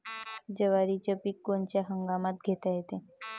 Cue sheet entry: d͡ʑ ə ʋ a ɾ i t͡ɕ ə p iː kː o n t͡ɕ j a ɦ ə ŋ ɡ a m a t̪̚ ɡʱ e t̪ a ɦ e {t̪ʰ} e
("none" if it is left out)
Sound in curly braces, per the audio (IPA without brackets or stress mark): t̪